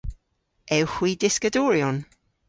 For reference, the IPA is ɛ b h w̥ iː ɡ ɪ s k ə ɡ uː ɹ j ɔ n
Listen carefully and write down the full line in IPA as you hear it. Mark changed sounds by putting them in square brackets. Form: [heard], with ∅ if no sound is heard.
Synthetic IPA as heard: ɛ [w] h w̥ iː [d] ɪ s k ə [d] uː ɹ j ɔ n